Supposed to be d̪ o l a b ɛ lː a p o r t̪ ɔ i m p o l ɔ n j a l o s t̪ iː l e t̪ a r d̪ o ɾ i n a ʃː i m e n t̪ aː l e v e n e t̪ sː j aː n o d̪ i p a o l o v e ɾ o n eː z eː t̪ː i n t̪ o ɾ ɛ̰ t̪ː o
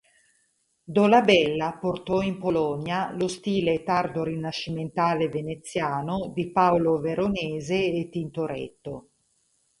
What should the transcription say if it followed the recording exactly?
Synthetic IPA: d̪ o l a b ɛ lː a p o r t̪ ɔ i m p o l ɔ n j a l o s t̪ iː l e t̪ a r d̪ o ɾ i n a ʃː i m e n t̪ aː l e v e n e t̪ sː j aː n o d̪ i p a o l o v e ɾ o n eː z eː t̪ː i n t̪ o ɾ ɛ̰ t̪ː o